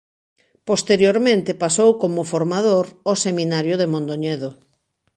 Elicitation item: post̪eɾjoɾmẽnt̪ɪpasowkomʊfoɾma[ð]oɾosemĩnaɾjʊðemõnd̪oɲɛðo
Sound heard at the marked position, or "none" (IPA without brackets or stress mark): ð